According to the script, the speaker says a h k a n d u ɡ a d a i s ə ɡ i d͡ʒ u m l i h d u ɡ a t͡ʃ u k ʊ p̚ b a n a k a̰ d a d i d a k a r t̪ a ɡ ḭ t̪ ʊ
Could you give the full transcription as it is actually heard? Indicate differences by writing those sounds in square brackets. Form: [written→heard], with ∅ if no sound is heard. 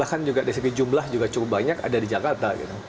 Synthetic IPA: a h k a n [d→d͡ʒ] u ɡ a d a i s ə ɡ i d͡ʒ u m l [i→a] h [d→d͡ʒ] u ɡ a t͡ʃ u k ʊ p̚ b a [n→ɲ] a k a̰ d a d i [d→d͡ʒ] a k a r t̪ a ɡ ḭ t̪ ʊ

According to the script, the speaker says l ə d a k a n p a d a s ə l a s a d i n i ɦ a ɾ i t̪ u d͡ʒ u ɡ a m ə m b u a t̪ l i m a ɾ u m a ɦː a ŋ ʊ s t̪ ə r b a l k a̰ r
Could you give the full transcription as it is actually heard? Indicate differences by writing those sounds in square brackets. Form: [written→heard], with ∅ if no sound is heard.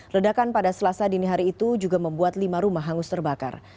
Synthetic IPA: l ə d a k a n p a d a s ə l a s a d i n i ɦ a ɾ [i→iː] t̪ u d͡ʒ u ɡ a m ə m b u a t̪ l i m a ɾ u m a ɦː a ŋ ʊ s t̪ ə r b a [l→∅] k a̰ r

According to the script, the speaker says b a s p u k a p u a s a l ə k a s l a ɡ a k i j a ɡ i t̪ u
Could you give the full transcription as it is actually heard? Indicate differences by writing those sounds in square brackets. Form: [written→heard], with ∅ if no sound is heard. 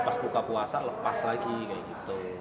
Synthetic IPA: [b→p] a s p u k a p u a s a l ə [k→p] a s l a ɡ [a→i] k [i→a] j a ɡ i t̪ u

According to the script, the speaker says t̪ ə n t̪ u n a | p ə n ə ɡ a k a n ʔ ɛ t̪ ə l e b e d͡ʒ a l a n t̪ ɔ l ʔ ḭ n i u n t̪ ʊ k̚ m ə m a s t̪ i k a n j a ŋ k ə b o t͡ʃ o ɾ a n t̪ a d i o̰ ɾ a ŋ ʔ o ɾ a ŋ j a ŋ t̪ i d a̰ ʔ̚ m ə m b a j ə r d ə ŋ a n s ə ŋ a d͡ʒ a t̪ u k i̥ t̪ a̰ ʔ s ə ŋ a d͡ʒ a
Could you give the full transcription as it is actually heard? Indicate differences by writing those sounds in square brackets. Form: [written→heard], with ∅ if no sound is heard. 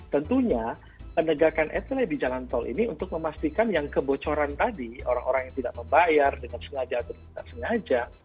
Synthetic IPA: t̪ ə n t̪ u [n→ɲ] a | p ə n ə ɡ a k a n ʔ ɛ t̪ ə l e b [e→i] d͡ʒ a l a n t̪ ɔ l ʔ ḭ n i u n t̪ ʊ k̚ m ə m a s t̪ i k a n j a ŋ k ə b o t͡ʃ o ɾ a n t̪ a d i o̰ ɾ a ŋ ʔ o ɾ a ŋ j a ŋ t̪ i d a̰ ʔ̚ m ə m b a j [ə→a] r d ə ŋ a n s ə ŋ a d͡ʒ a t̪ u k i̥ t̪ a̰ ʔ s ə ŋ a d͡ʒ a

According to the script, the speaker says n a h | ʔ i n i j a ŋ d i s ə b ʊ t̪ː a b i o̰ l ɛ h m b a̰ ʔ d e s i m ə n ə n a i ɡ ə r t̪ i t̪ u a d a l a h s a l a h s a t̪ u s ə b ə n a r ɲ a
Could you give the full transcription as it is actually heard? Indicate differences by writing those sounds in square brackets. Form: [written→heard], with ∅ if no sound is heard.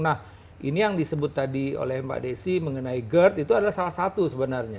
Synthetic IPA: n a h | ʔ i n i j a ŋ d i s ə b ʊ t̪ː a [b→d] i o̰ l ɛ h m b a̰ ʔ d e s i m ə [n→ŋ] ə n a i ɡ ə r t̪ i t̪ u a d a l a h s a l a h s a t̪ u s ə b ə n a r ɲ a

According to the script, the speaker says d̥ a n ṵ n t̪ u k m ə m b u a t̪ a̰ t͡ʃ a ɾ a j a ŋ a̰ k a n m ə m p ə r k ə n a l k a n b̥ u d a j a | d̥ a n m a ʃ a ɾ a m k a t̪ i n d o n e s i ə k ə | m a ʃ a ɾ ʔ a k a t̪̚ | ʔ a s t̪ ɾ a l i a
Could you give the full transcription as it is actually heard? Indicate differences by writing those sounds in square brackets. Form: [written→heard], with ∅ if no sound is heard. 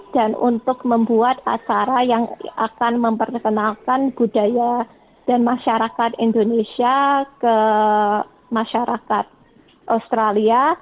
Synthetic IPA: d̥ a n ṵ n t̪ [u→ʊ] k m ə m b u a t̪ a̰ t͡ʃ a ɾ a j a ŋ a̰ k a n m ə m p ə r k ə n a l k a n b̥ u d a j a | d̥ a n m a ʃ a ɾ a [m→∅] k a t̪ i n d o n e s i [ə→a] k ə | m a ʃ a ɾ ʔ a k a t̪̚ | ʔ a s t̪ ɾ a l i a

